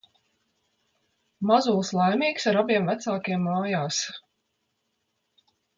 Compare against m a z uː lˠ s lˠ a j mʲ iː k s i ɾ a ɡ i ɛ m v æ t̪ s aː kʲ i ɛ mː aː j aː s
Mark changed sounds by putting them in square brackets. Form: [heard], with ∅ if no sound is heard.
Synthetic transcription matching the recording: m a z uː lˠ s lˠ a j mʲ iː k s [a] ɾ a [b] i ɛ m v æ t̪ s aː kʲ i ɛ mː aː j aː s